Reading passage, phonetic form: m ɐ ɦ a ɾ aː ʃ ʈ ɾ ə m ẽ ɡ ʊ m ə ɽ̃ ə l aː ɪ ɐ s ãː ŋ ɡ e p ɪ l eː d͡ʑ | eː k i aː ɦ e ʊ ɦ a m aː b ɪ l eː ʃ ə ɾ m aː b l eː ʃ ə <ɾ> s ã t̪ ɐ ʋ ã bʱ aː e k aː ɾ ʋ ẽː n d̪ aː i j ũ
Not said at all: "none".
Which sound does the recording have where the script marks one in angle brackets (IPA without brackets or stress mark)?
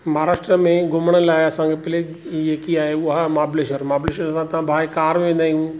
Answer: ɾ